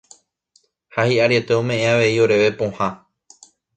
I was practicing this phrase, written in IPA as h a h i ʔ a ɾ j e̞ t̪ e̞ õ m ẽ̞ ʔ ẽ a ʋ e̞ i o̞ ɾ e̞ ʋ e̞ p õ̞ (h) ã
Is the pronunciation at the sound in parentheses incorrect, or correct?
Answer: correct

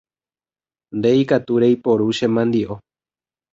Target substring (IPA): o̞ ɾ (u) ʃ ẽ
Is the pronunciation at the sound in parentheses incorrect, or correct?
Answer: correct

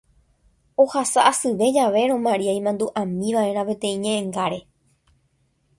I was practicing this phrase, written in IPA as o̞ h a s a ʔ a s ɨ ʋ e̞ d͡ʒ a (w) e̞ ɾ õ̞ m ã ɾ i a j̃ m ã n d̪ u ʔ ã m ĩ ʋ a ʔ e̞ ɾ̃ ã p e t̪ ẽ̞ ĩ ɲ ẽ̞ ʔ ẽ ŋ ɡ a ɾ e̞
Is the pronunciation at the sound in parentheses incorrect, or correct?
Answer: incorrect: ʋ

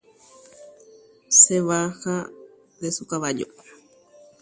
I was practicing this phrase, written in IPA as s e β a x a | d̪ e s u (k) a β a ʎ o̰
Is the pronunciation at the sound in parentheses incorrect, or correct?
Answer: correct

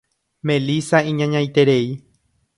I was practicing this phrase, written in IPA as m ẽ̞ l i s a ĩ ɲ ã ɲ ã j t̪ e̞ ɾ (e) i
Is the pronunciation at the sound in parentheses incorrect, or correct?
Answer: correct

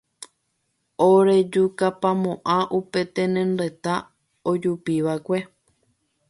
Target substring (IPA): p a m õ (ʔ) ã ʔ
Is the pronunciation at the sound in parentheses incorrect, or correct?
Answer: correct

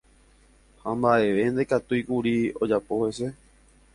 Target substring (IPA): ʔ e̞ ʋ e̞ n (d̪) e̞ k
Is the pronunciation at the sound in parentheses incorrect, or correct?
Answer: correct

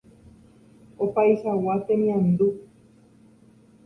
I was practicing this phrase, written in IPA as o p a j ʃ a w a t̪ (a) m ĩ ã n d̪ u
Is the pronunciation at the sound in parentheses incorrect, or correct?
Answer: incorrect: e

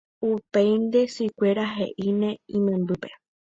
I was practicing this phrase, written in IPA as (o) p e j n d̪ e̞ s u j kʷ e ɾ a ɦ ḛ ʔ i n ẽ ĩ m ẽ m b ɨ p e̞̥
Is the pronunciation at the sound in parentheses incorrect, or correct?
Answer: incorrect: u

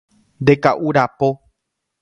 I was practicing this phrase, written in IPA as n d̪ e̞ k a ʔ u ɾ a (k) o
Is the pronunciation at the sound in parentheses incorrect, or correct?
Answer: incorrect: p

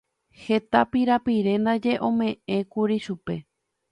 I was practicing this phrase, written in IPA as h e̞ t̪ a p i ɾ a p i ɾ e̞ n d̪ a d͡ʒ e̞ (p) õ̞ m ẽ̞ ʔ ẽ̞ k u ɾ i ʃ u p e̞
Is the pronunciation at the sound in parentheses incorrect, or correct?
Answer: incorrect: ʔ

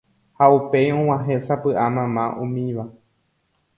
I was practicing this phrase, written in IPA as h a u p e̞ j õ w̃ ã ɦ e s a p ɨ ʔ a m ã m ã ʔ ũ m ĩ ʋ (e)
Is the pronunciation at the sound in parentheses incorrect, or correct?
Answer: incorrect: a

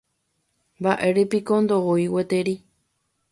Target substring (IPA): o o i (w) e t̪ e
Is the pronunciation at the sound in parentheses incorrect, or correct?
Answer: correct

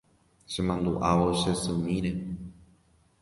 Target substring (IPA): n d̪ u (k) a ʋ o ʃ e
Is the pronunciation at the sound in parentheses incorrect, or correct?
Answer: incorrect: ʔ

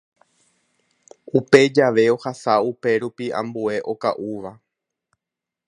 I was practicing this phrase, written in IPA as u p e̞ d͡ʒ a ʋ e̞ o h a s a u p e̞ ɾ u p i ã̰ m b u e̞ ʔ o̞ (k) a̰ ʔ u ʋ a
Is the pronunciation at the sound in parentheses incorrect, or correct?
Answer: correct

